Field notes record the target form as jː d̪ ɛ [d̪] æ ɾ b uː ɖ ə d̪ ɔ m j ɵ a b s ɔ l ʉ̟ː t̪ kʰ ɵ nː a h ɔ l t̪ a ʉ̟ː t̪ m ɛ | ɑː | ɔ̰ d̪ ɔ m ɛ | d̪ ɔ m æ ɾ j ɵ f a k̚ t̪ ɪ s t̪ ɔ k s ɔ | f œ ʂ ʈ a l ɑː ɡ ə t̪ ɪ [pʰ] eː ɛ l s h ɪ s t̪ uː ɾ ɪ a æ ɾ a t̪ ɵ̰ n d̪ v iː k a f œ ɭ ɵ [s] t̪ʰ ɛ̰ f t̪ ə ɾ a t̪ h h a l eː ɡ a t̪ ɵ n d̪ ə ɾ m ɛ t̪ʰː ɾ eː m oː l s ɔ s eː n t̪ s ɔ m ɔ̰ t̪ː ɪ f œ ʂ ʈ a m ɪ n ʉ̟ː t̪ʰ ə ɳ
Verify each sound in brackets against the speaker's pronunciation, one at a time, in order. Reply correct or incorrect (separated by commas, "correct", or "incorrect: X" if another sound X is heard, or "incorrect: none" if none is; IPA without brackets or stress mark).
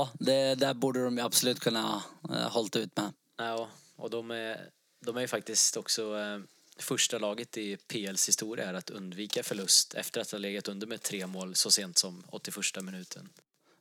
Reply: correct, correct, correct